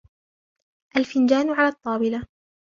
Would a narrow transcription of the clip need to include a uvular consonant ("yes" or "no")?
no